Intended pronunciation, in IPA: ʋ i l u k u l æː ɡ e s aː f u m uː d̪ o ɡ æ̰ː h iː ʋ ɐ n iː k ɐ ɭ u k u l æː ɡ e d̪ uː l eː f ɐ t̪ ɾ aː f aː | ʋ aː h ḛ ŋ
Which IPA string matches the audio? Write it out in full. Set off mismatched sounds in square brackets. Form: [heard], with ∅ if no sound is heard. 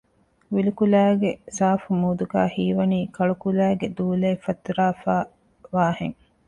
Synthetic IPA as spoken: ʋ i l u k u l æː ɡ e s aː f u m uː d̪ [u] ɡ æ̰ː h iː ʋ ɐ n iː k ɐ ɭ u k u l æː ɡ e d̪ uː l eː f ɐ t̪ ɾ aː f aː | ʋ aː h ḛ ŋ